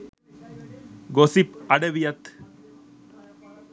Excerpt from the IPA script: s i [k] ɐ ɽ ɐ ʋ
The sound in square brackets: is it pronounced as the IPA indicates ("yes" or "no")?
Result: no